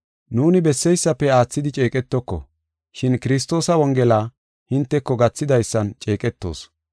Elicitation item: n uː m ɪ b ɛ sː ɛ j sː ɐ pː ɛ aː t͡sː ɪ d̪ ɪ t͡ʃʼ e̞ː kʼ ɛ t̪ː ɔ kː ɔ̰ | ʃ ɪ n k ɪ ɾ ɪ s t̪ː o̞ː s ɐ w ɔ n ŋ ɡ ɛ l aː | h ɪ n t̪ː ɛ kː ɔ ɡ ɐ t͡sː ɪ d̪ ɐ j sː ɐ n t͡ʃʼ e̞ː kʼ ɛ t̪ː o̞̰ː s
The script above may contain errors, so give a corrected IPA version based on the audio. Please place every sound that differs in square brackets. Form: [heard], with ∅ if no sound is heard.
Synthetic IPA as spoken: n uː [n] ɪ b ɛ sː ɛ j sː ɐ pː ɛ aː t͡sː ɪ d̪ ɪ t͡ʃʼ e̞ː kʼ ɛ t̪ː ɔ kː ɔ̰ | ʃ ɪ n k ɪ ɾ ɪ s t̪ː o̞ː s ɐ w ɔ [∅] ŋ ɡ ɛ l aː | h ɪ n t̪ː ɛ kː ɔ ɡ ɐ t͡sː ɪ d̪ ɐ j sː ɐ n t͡ʃʼ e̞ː kʼ ɛ t̪ː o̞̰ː s

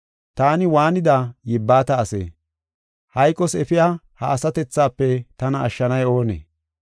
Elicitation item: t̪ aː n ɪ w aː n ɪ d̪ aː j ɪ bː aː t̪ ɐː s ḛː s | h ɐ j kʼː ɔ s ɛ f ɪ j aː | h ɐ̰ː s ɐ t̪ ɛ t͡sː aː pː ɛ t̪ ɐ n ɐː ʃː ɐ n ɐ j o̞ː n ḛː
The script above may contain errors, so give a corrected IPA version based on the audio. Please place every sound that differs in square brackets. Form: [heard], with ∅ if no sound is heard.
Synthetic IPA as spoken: t̪ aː n ɪ w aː n ɪ d̪ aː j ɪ bː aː t̪ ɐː s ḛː [∅] | h ɐ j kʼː ɔ s ɛ f ɪ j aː | h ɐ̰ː s ɐ t̪ ɛ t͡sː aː pː ɛ t̪ ɐ n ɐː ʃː ɐ n ɐ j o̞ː n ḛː

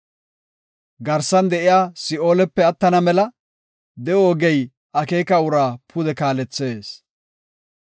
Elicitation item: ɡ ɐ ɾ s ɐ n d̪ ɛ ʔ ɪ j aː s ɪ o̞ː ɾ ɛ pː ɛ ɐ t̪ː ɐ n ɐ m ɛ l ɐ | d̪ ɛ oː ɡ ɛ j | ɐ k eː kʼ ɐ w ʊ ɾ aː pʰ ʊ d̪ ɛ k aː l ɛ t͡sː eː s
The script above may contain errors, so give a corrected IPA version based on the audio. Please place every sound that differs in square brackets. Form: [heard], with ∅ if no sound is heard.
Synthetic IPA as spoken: ɡ ɐ ɾ s ɐ n d̪ ɛ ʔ ɪ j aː s ɪ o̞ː [l] ɛ pː ɛ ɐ t̪ː ɐ n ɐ m ɛ l ɐ | d̪ ɛ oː ɡ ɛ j | ɐ k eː [k] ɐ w ʊ ɾ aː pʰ ʊ d̪ ɛ k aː l ɛ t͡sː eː s

